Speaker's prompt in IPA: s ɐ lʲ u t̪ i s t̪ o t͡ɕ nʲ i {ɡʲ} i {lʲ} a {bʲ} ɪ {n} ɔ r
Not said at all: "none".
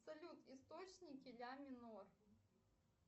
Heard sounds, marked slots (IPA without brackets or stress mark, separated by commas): kʲ, lʲ, mʲ, n